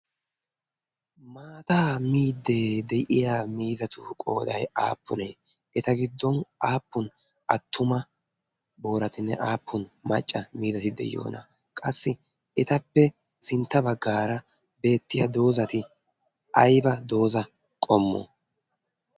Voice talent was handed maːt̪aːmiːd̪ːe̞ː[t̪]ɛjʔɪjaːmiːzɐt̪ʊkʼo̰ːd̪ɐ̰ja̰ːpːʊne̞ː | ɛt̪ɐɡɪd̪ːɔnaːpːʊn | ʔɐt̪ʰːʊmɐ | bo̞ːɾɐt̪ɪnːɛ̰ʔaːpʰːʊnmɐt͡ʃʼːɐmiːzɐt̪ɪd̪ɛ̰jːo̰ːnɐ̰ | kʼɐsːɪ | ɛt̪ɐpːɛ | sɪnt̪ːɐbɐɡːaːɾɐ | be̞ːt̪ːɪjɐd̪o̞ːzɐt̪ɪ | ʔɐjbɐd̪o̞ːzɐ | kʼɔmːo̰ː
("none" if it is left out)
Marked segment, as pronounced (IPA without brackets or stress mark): d̪